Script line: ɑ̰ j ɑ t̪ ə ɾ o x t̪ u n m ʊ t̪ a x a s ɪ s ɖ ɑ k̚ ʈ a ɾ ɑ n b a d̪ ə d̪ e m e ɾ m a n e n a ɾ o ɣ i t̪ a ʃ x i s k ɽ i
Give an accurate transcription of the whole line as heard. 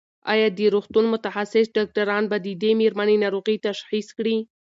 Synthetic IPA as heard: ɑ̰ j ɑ d̪ ə ɾ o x t̪ u n m ʊ t̪ a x a s ɪ s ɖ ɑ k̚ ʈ a ɾ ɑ n b a d̪ ə d̪ e m e ɾ m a n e n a ɾ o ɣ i t̪ a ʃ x i s k ɽ i